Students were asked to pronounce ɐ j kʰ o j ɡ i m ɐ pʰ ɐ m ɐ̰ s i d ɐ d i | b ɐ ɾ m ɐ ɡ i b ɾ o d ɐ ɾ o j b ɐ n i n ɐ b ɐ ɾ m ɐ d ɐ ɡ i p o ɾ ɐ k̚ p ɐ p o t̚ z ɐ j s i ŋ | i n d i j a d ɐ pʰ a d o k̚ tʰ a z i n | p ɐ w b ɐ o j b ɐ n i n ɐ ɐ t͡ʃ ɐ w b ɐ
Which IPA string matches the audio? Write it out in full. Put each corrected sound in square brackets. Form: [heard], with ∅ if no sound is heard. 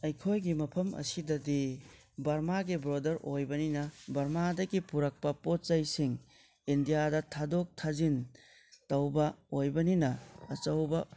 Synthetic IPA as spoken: ɐ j kʰ o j ɡ i m ɐ pʰ ɐ m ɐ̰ s i d ɐ d i | b ɐ ɾ m [a] ɡ i b ɾ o d ɐ ɾ o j b ɐ n i n ɐ b ɐ ɾ m [a] d ɐ ɡ i p [u] ɾ ɐ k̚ p ɐ p o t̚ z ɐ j s i ŋ | i n d i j a d ɐ [tʰ] a d o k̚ tʰ a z i n | [t] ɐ w b ɐ o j b ɐ n i n ɐ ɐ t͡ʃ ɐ w b ɐ